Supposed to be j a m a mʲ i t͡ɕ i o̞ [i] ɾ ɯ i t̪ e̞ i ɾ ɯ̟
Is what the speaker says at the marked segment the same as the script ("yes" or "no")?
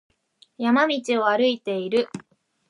no